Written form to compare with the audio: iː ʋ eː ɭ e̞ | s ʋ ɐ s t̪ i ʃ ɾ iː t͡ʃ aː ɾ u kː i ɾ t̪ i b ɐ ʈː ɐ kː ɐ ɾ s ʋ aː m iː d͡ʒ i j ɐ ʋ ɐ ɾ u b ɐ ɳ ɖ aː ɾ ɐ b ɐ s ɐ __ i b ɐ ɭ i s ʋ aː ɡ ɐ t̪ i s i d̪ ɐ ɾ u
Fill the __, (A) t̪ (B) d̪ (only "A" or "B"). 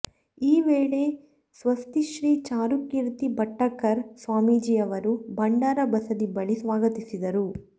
B